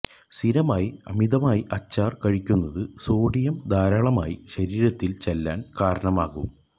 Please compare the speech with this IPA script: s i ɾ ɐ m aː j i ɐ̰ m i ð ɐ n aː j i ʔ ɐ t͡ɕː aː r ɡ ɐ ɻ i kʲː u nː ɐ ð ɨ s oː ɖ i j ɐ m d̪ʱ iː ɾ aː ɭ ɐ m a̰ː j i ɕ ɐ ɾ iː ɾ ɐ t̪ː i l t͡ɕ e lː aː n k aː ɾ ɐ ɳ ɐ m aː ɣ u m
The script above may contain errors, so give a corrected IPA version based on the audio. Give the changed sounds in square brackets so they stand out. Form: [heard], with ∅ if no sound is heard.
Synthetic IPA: s i ɾ ɐ m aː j i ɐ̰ m i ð ɐ [m] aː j i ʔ ɐ t͡ɕː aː r [k] ɐ ɻ i kʲː u nː ɐ ð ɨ s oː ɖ i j ɐ m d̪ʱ [aː] ɾ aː ɭ ɐ m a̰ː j i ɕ ɐ ɾ iː ɾ ɐ t̪ː i l t͡ɕ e lː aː n k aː ɾ ɐ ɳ ɐ m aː ɣ u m